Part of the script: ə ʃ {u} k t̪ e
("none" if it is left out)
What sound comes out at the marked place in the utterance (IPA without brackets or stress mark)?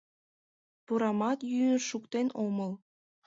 u